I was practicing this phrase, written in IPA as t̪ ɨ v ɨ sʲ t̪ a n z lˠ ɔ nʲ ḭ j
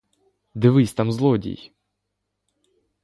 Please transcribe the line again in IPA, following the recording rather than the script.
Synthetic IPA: d̪ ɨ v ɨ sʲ t̪ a m z lˠ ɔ dʲ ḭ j

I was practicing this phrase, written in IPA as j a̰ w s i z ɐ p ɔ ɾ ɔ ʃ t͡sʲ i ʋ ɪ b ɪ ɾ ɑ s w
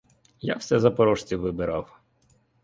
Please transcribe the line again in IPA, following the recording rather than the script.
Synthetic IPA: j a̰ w s ɛ z ɐ p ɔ ɾ ɔ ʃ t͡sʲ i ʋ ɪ b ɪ ɾ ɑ w

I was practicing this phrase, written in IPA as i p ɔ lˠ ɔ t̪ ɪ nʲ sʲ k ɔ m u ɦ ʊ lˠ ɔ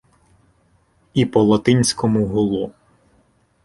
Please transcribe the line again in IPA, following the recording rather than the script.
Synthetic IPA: i p ɔ lˠ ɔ t̪ ɪ nʲ sʲ k ɔ m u ɦ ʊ lˠ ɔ

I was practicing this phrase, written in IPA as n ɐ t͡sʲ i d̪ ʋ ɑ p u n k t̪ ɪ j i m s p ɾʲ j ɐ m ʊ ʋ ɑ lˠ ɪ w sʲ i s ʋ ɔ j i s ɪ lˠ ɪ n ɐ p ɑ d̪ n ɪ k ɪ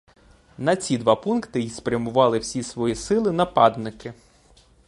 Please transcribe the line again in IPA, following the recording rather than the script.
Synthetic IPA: n ɐ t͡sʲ i d̪ ʋ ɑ p u n k t̪ ɪ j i s p ɾʲ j ɐ m ʊ ʋ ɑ lˠ ɪ w sʲ i s ʋ ɔ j i s ɪ lˠ ɪ n ɐ p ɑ d̪ n ɪ k ɪ

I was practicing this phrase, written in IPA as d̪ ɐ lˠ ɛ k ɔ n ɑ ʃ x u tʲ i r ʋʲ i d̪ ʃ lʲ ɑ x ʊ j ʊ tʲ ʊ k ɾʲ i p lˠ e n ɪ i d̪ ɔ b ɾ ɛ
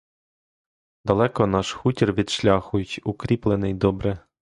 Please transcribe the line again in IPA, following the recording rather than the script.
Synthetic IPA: d̪ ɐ lˠ ɛ k ɔ n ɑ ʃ x u tʲ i r ʋʲ i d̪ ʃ lʲ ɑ x ʊ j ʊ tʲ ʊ k ɾʲ i p lˠ e n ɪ j d̪ ɔ b ɾ ɛ

